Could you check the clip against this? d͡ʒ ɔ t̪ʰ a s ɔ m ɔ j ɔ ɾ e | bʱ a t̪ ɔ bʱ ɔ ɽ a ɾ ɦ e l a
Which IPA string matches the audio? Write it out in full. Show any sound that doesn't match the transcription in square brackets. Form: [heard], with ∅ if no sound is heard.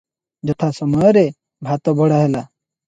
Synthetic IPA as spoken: d͡ʒ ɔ t̪ʰ a s ɔ m ɔ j ɔ ɾ e | bʱ a t̪ ɔ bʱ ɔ ɽ a [∅] ɦ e l a

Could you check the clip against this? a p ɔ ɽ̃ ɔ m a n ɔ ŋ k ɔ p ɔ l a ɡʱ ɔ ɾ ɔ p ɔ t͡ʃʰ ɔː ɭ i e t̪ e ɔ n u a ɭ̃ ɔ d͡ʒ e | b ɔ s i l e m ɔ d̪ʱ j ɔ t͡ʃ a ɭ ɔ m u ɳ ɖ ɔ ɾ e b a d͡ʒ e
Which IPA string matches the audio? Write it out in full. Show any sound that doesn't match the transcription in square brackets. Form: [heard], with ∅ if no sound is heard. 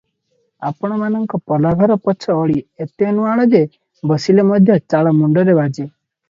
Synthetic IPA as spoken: a p ɔ ɽ̃ ɔ m a n ɔ ŋ k ɔ p ɔ l a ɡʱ ɔ ɾ ɔ p ɔ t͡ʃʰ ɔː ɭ i e t̪ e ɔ n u a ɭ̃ ɔ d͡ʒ e | b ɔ s i l e m ɔ d̪ʱ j ɔ t͡ʃ a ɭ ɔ m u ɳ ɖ ɔ ɾ e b a d͡ʒ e

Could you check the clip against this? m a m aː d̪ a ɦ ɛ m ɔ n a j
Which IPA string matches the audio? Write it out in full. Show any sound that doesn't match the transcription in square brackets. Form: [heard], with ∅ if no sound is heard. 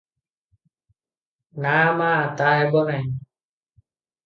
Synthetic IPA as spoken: [n] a m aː [t̪] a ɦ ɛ [b] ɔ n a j

